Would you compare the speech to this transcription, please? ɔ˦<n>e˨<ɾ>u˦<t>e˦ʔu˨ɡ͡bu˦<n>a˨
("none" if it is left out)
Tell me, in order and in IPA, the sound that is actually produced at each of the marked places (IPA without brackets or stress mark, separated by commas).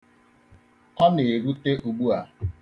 n, ɾ, t, none